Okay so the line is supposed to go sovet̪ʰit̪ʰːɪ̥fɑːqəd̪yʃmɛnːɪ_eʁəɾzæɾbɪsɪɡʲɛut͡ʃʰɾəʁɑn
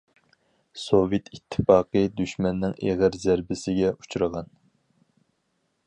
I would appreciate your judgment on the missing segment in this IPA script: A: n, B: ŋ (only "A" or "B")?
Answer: B